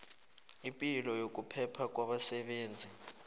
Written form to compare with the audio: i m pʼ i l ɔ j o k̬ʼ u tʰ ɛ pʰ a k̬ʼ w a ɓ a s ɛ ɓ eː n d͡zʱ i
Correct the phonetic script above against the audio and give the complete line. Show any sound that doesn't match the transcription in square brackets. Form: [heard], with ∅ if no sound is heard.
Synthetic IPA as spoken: i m pʼ i l ɔ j o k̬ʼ u [pʰ] ɛ pʰ a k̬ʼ w a ɓ a s ɛ ɓ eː n d͡zʱ i